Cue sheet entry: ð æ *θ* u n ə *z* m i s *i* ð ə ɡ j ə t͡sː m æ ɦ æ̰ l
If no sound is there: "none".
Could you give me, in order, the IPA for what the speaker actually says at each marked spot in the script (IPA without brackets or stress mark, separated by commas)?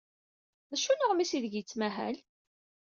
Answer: ʃ, ʁ, i